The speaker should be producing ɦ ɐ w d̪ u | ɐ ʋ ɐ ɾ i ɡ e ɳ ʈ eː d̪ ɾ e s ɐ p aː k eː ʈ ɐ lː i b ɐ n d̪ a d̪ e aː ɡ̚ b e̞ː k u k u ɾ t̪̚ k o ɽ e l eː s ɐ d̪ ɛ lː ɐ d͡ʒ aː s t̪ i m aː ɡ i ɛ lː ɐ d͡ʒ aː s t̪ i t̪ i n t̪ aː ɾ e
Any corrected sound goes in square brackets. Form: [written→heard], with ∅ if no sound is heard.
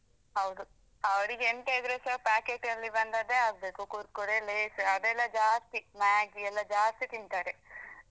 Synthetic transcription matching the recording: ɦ ɐ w d̪ u | ɐ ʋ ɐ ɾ i ɡ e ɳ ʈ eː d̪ ɾ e s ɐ p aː k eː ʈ ɐ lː i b ɐ n d̪ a d̪ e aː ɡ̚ b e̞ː k u k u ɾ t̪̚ k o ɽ e l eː s ɐ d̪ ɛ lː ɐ d͡ʒ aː s t̪ i m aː ɡ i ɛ lː ɐ d͡ʒ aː s t̪ i t̪ i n t̪ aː ɾ e